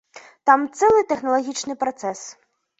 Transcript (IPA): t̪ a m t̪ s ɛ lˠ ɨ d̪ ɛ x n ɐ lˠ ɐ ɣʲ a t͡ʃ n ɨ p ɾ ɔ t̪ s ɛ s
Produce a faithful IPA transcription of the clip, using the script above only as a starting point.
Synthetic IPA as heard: t̪ a m t̪ s ɛ lˠ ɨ t̪ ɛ x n ɐ lˠ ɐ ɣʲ i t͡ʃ n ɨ p ɾ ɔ t̪ s ɛ s